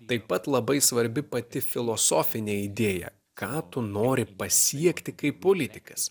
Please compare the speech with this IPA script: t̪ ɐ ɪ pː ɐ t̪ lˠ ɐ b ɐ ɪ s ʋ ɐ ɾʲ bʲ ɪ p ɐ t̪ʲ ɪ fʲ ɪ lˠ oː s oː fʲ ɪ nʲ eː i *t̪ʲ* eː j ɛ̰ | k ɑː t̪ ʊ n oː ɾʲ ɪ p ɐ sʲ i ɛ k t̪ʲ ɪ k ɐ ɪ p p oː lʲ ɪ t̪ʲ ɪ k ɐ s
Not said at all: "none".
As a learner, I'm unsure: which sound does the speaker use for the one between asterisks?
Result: d̪ʲ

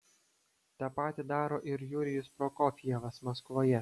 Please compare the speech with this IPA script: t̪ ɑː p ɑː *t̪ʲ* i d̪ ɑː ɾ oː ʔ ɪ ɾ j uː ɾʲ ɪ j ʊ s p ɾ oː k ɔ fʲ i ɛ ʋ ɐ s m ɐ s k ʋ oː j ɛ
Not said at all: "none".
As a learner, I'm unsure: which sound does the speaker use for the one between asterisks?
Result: t̪ʲ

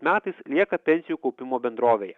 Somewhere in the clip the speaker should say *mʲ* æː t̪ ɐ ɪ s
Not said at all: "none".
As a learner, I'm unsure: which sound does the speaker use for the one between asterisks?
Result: mʲ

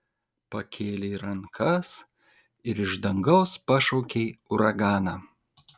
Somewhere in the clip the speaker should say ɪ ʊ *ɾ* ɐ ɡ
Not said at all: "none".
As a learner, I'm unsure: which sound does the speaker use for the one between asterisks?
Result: ɾ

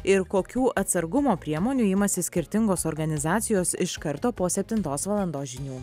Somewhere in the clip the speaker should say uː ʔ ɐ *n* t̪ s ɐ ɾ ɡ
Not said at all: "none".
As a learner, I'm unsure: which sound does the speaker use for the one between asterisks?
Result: none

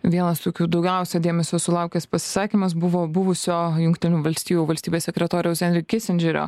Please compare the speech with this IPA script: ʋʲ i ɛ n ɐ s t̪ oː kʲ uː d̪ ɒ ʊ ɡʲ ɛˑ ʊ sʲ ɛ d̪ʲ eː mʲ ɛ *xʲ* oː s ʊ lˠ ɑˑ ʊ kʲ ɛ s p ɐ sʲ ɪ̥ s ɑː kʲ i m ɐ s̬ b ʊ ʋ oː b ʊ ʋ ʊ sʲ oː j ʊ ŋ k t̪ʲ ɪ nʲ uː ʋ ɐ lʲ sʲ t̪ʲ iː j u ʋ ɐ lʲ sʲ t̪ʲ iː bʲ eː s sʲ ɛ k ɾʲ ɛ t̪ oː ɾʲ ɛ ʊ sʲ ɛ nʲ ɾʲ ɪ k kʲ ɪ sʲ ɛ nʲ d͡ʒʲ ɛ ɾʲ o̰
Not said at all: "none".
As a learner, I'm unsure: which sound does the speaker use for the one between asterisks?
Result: sʲ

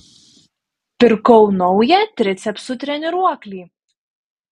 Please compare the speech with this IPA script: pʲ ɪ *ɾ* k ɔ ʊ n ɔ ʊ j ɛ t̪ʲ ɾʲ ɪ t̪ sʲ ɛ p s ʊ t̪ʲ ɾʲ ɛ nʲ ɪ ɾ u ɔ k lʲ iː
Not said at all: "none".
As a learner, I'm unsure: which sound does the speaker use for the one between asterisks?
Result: ɾ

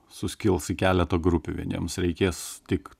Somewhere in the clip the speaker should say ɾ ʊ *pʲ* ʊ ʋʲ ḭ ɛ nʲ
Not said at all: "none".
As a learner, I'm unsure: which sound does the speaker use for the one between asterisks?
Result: pʲ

